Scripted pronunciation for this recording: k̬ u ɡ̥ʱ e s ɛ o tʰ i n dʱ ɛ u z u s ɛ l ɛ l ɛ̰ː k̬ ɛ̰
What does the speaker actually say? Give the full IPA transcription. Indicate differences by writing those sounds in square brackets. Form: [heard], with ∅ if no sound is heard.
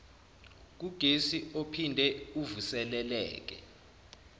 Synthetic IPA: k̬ u ɡ̥ʱ e s [i] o [pʰ] i n dʱ ɛ u [v] u s ɛ l ɛ l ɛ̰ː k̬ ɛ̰